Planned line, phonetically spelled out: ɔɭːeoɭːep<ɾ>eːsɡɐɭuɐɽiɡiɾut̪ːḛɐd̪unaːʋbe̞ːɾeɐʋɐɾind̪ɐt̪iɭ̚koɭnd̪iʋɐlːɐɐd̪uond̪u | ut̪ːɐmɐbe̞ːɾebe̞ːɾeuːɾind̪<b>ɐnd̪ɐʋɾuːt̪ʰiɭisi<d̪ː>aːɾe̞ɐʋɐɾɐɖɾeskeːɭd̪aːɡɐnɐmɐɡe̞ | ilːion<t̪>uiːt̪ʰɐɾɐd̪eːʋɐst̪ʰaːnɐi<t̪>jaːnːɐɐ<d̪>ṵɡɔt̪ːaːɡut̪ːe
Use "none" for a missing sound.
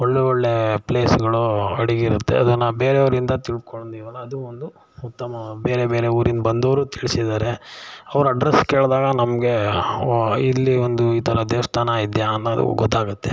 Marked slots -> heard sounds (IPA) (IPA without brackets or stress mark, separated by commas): l, b, d̪, d̪, d̪, d̪